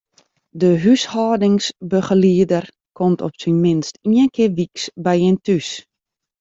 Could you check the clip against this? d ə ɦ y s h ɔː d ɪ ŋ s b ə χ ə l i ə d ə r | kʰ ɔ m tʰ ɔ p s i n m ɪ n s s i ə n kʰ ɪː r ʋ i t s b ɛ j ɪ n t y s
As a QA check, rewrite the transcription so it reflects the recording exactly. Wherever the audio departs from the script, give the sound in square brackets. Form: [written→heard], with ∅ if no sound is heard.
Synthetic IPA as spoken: d ə ɦ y s h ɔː d ɪ ŋ s b ə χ ə l i ə d ə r | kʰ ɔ m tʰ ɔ p s i n m ɪ n s [s→t] i ə n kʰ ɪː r ʋ i [t→k] s b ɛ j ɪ n t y s